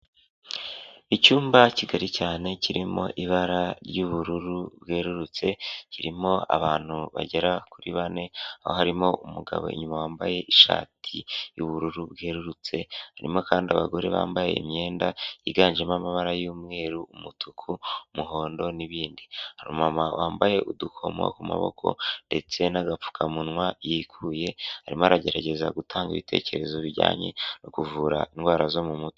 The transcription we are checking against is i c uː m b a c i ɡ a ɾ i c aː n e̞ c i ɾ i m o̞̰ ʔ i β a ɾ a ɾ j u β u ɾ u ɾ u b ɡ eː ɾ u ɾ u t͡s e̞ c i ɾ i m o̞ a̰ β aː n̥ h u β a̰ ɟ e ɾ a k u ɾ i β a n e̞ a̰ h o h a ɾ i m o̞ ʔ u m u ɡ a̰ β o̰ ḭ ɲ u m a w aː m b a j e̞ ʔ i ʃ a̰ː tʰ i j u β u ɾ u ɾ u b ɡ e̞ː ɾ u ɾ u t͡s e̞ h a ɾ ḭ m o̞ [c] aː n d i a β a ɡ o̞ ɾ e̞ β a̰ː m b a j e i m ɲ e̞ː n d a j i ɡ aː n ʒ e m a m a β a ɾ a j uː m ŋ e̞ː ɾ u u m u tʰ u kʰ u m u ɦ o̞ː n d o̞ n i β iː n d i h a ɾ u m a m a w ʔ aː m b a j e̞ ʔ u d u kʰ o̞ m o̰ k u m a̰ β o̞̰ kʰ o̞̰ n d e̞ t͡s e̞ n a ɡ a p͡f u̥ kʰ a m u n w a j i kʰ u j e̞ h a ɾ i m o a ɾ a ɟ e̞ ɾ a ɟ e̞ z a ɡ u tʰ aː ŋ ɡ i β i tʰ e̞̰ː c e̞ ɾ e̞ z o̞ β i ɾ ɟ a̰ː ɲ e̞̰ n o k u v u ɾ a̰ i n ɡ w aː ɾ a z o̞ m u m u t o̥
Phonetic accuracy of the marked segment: incorrect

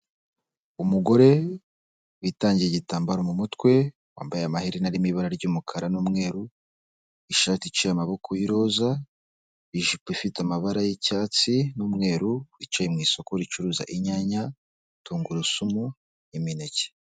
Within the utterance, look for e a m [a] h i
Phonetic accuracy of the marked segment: correct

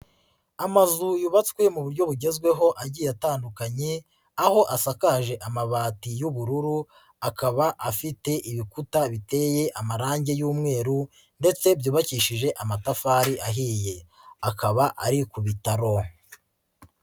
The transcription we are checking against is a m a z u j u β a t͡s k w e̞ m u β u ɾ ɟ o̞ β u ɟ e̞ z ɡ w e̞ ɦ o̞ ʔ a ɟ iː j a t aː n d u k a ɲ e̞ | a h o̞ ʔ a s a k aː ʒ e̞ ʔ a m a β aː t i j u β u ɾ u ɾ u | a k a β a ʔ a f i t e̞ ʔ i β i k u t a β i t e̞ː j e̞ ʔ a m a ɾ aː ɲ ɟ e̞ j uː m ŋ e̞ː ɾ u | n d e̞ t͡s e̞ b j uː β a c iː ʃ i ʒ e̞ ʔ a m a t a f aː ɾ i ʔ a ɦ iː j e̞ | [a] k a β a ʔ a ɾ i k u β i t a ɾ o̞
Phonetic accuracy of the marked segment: correct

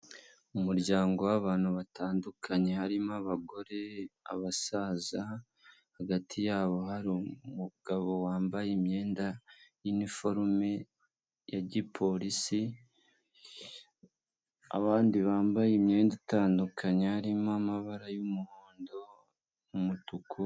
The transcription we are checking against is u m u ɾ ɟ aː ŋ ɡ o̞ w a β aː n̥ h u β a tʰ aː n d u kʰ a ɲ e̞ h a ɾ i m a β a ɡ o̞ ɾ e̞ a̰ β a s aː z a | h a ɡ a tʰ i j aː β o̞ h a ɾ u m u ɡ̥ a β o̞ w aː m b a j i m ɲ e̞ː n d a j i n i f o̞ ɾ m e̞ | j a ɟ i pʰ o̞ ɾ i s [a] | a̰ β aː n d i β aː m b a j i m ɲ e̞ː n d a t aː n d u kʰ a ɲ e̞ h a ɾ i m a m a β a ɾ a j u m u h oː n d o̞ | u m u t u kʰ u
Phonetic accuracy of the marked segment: incorrect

